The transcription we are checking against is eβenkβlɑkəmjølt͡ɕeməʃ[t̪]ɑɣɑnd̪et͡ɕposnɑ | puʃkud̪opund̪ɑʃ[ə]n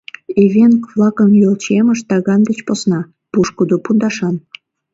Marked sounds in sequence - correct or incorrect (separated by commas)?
correct, incorrect